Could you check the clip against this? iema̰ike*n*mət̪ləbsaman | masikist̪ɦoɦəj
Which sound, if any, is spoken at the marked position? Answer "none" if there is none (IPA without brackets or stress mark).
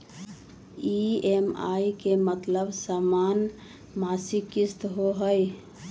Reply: none